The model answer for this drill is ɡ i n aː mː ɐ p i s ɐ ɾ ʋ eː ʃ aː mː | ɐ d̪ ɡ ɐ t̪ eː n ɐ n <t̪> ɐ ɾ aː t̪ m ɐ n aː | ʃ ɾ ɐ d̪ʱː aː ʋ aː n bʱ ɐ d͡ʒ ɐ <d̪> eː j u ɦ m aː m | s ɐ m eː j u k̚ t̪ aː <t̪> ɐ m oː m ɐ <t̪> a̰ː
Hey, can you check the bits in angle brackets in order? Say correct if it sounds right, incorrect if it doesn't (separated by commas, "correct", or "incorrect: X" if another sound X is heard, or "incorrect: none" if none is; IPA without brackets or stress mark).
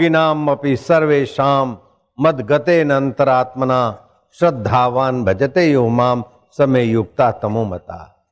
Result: correct, incorrect: t̪, correct, correct